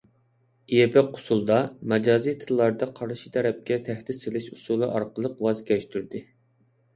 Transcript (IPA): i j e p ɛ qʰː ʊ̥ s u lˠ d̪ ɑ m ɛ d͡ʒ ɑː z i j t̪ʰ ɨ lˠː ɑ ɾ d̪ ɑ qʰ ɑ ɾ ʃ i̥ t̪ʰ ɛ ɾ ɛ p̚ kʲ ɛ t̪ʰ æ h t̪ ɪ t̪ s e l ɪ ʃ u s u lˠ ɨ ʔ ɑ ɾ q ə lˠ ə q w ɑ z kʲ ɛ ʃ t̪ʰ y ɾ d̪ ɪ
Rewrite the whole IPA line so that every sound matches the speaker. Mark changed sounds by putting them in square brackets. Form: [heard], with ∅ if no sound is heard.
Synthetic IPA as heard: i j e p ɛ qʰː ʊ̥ s u lˠ d̪ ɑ m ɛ d͡ʒ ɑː z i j t̪ʰ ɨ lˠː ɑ ɾ d̪ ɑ qʰ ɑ ɾ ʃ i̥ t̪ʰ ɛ ɾ ɛ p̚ kʲ ɛ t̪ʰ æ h t̪ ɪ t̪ s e l ɪ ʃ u s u lˠ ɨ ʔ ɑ ɾ q ə lˠ ə q w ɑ z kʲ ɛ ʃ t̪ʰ y ɾ d̪ ɪ